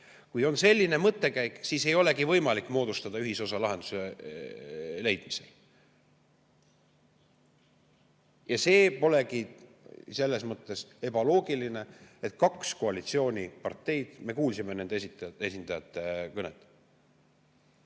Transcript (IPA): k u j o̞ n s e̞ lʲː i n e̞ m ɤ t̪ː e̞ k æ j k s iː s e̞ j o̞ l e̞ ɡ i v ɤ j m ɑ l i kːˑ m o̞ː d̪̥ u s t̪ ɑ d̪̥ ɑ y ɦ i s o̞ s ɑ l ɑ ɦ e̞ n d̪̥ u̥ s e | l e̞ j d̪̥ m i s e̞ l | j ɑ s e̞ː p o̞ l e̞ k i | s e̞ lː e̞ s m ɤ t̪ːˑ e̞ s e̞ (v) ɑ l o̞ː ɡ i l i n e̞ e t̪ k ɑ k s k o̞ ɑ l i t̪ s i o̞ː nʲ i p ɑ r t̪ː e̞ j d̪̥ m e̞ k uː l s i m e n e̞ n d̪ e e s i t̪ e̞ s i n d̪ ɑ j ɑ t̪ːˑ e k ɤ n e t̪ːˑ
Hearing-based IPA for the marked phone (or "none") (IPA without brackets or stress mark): b